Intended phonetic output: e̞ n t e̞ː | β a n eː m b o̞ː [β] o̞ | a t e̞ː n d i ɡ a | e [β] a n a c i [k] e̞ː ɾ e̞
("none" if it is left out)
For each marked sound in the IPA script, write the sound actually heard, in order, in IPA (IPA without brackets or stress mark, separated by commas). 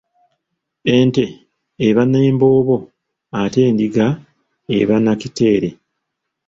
β, β, t